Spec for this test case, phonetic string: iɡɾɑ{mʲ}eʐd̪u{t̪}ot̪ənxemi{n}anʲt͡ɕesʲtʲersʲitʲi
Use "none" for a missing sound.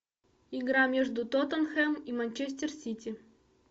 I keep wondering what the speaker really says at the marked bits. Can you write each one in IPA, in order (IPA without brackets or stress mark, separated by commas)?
mʲ, t̪, m